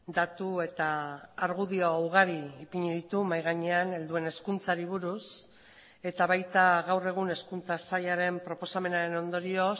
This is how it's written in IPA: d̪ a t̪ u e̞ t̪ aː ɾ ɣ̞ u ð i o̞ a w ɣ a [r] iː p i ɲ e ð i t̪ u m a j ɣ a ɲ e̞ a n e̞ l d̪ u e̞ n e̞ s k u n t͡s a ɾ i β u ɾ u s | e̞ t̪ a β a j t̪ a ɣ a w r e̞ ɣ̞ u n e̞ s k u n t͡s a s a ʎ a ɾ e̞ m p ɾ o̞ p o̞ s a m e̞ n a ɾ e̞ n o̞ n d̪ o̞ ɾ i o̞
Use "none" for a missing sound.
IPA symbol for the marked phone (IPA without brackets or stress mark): ɾ